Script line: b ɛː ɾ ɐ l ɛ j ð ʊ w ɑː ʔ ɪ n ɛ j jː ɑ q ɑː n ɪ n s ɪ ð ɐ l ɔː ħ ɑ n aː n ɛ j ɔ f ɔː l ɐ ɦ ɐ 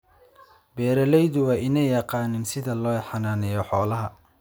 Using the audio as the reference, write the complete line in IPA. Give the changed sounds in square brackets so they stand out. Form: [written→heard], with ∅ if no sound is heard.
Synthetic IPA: b ɛː ɾ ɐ l ɛ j ð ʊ w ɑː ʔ ɪ n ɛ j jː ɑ q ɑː n ɪ n s ɪ ð ɐ l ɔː ħ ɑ n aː n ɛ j ɔ [f→ħ] ɔː l ɐ ɦ ɐ